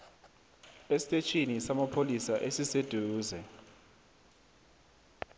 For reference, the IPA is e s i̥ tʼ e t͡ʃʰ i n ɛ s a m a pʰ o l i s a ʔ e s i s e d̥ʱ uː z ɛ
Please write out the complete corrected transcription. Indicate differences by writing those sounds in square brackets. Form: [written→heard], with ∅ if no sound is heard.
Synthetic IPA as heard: e s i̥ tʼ e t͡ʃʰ i n [ɛ→i] s a m a pʰ o l i s a ʔ e s i s e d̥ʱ uː z ɛ

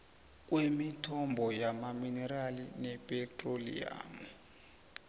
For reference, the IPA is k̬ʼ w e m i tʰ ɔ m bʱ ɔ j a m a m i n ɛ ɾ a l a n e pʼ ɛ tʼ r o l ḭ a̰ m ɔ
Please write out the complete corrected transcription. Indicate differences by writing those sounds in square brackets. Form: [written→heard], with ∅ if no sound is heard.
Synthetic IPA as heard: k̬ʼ w e m i tʰ ɔ m bʱ ɔ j a m a m i n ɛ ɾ a l [a→i] n [e→ɛ] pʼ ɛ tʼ r o l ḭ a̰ m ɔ

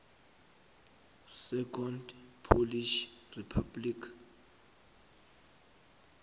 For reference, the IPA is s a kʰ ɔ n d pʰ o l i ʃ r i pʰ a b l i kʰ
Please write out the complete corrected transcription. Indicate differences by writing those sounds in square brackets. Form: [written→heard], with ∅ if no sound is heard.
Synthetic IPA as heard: s [a→ɛ] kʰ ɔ n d pʰ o l i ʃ r i pʰ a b l i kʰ

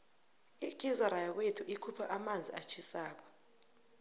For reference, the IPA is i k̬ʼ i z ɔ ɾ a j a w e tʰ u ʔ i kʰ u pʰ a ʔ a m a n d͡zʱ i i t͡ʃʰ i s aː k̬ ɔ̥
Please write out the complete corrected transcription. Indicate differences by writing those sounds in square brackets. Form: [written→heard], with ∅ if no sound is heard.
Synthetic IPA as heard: i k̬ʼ i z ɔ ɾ a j a w e tʰ u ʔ i kʰ u pʰ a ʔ a m a n d͡zʱ i [i→a] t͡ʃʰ i s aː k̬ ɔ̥

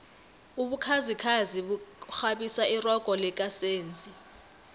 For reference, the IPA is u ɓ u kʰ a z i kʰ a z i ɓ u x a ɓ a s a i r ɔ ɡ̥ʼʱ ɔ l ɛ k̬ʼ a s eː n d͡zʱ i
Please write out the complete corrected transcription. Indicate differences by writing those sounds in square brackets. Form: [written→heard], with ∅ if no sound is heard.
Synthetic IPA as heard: u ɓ u kʰ a z i kʰ a z i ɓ u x a ɓ [a→i] s a i r ɔ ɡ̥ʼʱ ɔ l ɛ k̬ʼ a s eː n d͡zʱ i

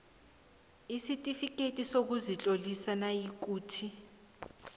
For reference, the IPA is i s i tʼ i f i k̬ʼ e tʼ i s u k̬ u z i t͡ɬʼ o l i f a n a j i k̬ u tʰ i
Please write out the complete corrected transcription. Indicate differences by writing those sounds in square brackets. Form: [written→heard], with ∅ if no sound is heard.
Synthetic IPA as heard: i s i tʼ i f i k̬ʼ e tʼ i s [u→o] k̬ u z i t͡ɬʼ o l i [f→s] a n a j i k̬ [u→uː] tʰ i

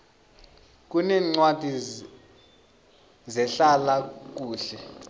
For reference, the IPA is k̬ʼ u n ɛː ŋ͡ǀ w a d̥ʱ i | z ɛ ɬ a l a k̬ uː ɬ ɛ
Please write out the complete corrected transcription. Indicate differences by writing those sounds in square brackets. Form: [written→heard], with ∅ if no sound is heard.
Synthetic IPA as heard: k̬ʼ u n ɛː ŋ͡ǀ w a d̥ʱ i | z ɛ ɬ a l a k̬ uː ɬ ɛ

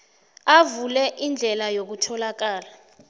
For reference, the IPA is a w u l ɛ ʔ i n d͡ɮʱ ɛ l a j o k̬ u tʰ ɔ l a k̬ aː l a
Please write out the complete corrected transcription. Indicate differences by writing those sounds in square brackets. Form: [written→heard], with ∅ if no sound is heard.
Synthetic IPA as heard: a [w→v] u l ɛ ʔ i n d͡ɮʱ ɛ l a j o k̬ u tʰ ɔ l a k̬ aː l a

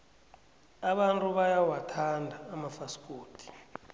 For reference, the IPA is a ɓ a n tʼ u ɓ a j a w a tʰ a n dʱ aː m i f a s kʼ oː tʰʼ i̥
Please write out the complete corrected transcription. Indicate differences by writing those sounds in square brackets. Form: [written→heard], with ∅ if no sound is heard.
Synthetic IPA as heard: a ɓ a n tʼ u ɓ a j a w a tʰ a n dʱ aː m [i→a] f a s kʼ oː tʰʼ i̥

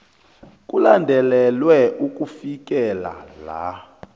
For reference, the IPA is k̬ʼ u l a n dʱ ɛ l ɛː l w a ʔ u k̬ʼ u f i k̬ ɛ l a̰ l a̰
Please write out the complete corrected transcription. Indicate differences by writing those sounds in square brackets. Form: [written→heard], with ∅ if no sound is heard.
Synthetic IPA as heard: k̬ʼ u l a n dʱ ɛ l [ɛː→ɛ] l w [a→ɛ] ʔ u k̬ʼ u f i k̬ ɛ l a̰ l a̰

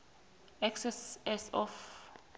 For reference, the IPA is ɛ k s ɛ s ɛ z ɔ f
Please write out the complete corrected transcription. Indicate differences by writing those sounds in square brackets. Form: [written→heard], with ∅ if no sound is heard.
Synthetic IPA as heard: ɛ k s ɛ s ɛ [z→s] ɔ f

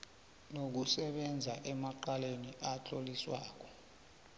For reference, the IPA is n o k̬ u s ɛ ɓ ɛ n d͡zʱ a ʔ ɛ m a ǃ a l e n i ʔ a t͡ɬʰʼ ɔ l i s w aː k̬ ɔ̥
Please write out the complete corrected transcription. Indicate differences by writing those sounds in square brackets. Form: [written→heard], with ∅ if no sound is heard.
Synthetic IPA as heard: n o k̬ u s ɛ ɓ ɛ n d͡zʱ a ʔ ɛ m a ǃ a l e n i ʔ a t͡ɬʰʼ [ɔ→o] l i s w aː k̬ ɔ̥

